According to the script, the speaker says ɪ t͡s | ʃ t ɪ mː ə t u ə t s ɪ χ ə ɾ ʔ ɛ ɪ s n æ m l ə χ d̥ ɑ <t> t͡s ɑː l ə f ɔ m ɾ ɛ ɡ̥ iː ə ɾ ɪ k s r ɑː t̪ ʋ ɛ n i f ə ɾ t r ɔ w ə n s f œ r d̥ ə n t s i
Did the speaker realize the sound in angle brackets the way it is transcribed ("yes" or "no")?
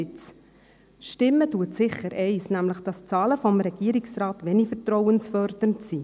no